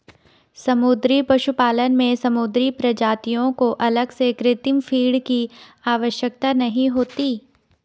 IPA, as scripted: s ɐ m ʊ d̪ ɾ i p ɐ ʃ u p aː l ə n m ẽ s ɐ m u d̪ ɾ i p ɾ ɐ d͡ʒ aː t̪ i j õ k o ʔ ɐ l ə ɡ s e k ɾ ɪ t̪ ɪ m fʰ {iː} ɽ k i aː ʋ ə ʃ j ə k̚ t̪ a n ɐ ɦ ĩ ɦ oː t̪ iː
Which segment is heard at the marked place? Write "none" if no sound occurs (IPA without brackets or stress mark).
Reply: iː